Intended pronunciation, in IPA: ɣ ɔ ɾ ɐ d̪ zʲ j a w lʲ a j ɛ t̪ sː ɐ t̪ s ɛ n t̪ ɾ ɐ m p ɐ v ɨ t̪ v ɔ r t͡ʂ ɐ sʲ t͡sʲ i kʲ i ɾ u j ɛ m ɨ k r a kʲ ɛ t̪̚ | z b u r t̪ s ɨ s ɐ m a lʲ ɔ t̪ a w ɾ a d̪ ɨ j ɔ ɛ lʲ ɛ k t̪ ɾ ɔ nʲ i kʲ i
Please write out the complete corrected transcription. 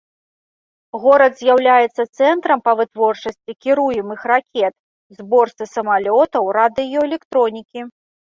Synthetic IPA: ɣ ɔ ɾ ɐ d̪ zʲ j a w lʲ a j ɛ t̪ sː ɐ t̪ s ɛ n t̪ ɾ ɐ m p ɐ v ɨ t̪ v ɔ r t͡ʂ ɐ sʲ t͡sʲ i kʲ i ɾ u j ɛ m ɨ x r a kʲ ɛ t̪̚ | z b ɔ r t̪ s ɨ s ɐ m a lʲ ɔ t̪ ɐ w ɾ a d̪ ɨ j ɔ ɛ lʲ ɛ k t̪ ɾ ɔ nʲ i kʲ i